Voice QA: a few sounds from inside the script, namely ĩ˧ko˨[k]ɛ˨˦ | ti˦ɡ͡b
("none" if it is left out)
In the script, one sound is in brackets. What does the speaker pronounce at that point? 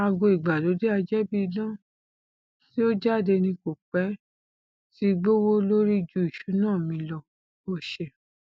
k͡p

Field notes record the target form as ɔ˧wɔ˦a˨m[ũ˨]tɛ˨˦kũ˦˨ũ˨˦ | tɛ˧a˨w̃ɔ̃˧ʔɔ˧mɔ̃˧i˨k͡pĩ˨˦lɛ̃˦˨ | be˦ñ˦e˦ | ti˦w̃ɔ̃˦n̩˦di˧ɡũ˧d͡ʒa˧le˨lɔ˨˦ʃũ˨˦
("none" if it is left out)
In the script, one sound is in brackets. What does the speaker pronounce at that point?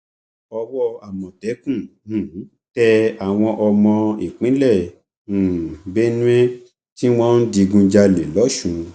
ɔ̃˨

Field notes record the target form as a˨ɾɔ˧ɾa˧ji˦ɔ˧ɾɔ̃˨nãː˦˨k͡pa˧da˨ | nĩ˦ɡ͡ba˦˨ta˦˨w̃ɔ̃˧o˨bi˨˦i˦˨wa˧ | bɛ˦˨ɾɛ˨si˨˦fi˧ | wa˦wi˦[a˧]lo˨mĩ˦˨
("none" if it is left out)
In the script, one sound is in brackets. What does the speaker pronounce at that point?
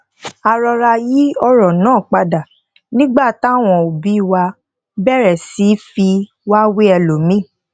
ɛ˧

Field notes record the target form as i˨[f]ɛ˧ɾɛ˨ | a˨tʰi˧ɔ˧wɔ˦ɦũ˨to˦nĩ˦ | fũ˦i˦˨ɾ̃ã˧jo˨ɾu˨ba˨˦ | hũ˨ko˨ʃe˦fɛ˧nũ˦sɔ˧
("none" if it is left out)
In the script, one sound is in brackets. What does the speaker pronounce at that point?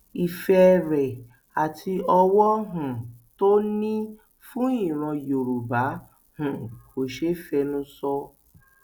f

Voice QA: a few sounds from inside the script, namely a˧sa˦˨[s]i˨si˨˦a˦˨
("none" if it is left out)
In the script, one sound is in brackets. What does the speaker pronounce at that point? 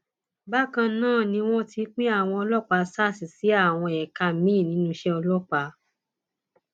s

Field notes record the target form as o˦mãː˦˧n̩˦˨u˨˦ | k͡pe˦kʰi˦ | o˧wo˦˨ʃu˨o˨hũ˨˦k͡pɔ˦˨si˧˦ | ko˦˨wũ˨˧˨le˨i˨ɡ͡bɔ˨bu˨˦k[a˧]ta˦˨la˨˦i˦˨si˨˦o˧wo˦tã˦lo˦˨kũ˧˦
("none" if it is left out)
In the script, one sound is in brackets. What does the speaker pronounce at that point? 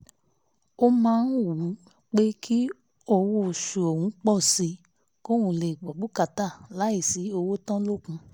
a˧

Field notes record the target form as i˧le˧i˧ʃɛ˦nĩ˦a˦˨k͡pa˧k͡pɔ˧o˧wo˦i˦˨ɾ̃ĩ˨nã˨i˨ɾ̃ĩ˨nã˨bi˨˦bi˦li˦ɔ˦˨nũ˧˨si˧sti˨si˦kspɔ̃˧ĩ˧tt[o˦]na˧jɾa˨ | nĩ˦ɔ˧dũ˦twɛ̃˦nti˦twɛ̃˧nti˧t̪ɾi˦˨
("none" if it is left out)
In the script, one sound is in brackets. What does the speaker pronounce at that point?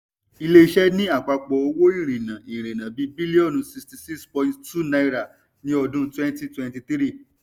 u˦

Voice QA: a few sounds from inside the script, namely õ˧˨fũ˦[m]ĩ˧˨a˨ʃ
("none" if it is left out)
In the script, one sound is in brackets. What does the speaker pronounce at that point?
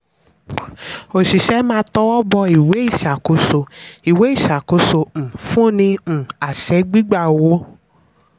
n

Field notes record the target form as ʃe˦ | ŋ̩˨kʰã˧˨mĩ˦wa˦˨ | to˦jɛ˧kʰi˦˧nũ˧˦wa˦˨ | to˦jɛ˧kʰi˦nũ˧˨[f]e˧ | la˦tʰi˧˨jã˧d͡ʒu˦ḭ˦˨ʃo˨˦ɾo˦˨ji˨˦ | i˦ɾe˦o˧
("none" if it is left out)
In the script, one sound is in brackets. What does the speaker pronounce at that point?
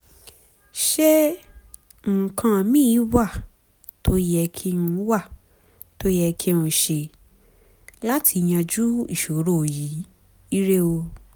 ʃ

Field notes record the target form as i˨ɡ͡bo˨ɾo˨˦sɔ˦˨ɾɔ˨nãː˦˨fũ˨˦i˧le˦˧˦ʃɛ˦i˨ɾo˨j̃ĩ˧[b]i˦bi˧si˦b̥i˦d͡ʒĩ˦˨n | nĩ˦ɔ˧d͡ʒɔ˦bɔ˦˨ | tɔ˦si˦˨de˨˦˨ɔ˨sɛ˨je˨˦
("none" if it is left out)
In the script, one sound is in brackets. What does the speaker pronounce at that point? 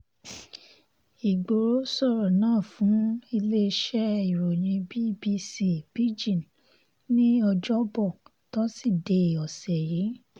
b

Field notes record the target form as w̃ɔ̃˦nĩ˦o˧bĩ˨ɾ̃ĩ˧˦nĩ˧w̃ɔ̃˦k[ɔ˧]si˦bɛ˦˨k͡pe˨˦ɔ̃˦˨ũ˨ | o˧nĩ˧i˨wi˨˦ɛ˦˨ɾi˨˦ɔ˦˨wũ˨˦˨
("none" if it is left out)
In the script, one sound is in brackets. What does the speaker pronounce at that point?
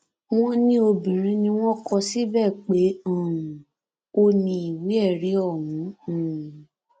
ɔ˧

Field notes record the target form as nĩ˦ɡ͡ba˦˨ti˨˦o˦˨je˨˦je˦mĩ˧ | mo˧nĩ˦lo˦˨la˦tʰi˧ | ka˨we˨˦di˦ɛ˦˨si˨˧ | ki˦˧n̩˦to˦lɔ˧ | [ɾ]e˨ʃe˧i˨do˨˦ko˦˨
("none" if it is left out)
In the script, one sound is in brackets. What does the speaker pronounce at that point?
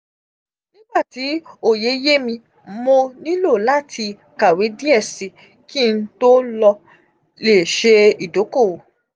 l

